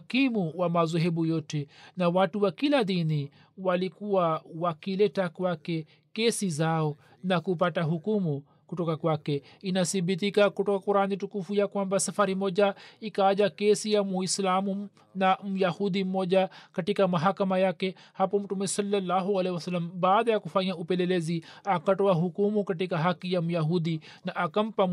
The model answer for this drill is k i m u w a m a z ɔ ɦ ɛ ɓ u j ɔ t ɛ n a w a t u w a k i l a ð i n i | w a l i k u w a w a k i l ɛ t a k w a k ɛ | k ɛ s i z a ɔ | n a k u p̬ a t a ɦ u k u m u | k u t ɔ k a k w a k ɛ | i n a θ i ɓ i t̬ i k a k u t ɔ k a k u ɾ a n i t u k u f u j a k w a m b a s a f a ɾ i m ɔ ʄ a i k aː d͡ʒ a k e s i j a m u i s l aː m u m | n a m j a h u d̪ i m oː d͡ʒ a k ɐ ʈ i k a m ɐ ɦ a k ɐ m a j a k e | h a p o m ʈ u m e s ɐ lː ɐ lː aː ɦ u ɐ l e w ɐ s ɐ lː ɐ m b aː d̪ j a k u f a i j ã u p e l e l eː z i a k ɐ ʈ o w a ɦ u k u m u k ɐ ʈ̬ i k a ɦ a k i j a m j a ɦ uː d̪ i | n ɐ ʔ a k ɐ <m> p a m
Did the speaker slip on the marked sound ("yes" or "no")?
no